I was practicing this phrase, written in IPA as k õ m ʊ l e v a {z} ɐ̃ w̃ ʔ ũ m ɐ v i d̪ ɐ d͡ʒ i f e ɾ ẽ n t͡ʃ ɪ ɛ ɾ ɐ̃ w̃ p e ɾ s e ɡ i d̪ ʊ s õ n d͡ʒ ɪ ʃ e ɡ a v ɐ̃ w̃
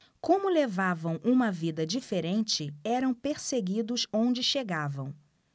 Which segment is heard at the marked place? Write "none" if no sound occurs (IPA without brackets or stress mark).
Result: v